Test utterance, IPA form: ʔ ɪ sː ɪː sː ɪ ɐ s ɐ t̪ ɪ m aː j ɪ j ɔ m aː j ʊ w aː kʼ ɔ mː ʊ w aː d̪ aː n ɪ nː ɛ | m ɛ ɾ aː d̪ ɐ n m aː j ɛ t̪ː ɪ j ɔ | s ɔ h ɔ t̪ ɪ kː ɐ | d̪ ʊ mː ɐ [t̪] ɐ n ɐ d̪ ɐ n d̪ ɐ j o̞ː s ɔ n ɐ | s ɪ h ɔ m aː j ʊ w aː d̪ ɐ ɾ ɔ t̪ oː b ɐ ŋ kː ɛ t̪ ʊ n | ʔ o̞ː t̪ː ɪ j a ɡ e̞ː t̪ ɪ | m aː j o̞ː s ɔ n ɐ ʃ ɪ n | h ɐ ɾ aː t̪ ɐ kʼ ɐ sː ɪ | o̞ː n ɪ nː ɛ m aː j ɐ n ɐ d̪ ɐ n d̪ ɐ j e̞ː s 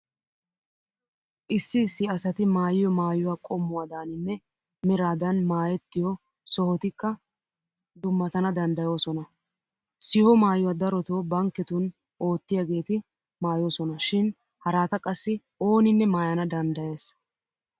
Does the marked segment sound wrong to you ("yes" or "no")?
no